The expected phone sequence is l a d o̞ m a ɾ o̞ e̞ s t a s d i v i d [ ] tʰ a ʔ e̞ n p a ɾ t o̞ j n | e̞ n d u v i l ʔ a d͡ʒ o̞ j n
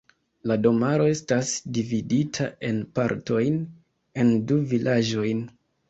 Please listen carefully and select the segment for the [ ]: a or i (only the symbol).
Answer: i